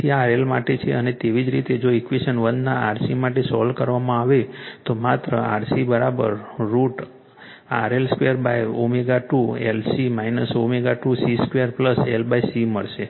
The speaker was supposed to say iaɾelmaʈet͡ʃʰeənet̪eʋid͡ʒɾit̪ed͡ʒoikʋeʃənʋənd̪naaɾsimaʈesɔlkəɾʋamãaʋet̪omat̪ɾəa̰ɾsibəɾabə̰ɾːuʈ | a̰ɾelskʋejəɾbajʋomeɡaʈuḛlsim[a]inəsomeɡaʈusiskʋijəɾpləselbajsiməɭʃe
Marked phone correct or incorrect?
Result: correct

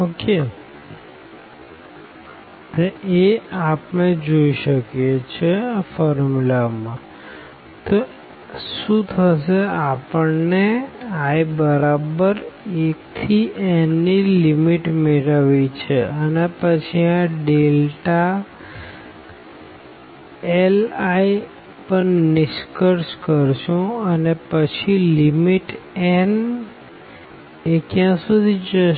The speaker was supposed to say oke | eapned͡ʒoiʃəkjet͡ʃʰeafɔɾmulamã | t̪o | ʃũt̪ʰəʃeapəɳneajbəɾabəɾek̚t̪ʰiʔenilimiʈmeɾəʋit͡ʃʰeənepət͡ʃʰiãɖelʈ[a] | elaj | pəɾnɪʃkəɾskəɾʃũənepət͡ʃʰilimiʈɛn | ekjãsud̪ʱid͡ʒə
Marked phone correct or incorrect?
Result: correct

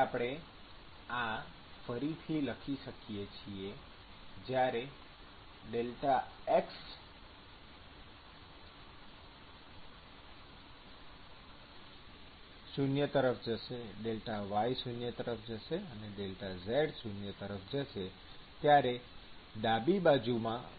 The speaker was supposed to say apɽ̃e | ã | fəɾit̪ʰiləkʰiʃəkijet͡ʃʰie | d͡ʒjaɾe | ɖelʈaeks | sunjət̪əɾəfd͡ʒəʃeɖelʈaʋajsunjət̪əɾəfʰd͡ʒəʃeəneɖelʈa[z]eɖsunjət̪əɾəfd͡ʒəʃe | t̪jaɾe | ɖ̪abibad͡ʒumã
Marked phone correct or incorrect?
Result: correct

